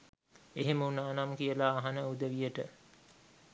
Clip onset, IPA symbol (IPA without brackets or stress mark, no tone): e